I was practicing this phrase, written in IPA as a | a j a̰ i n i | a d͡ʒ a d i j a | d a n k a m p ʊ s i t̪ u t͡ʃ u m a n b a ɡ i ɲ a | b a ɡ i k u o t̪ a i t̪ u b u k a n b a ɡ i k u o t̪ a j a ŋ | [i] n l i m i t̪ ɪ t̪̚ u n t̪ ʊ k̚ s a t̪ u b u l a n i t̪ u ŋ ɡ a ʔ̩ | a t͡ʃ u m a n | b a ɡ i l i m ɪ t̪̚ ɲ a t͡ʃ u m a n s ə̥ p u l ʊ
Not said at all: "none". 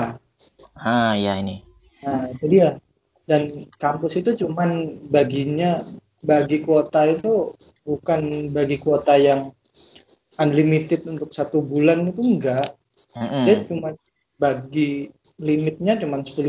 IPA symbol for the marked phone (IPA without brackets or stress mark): a